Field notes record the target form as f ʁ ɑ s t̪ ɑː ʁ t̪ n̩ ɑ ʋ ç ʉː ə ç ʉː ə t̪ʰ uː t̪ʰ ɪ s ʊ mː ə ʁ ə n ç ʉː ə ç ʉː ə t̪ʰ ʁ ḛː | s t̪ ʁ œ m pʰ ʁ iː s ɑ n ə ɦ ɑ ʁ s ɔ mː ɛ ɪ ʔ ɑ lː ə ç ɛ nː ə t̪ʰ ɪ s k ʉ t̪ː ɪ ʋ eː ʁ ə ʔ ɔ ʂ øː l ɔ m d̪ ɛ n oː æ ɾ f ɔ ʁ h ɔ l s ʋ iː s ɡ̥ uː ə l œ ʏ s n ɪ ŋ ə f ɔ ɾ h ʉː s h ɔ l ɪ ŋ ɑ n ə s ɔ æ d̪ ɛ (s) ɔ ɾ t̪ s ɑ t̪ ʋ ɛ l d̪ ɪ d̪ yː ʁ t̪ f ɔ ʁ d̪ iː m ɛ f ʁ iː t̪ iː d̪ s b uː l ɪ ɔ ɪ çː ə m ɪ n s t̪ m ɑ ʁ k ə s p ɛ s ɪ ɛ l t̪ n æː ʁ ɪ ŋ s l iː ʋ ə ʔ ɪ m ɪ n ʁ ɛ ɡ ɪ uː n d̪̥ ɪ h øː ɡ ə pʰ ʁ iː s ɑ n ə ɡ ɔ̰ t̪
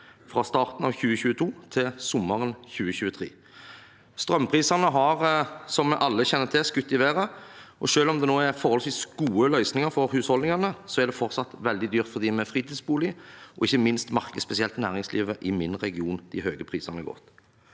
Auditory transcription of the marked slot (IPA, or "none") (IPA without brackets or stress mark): f